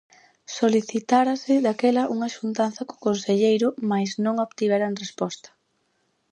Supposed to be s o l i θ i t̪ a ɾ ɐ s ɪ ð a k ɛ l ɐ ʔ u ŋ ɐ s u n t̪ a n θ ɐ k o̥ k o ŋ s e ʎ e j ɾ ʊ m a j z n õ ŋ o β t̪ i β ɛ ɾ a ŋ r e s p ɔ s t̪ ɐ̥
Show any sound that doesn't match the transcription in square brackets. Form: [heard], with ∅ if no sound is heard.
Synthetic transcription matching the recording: s o l i θ i t̪ a ɾ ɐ s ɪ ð a k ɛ l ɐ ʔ u ŋ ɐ [ʃ] u n t̪ a n θ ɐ k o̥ k o [n] s e ʎ e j ɾ ʊ m a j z n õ ŋ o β t̪ i β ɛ ɾ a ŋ r e s p ɔ s t̪ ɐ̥